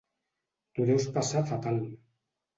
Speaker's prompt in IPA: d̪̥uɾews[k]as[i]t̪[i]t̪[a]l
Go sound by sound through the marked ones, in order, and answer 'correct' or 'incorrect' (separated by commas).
incorrect, incorrect, incorrect, correct